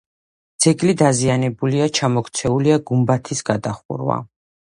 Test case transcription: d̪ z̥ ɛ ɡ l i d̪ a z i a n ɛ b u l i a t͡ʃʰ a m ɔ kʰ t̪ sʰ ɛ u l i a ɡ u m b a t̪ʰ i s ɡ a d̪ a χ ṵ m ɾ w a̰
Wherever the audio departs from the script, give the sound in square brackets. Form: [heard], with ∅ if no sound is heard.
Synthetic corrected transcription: d̪ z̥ ɛ ɡ l i d̪ a z i a n ɛ b u l i a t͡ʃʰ a m ɔ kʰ t̪ sʰ ɛ u l i a ɡ u m b a t̪ʰ i s ɡ a d̪ a χ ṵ [∅] ɾ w a̰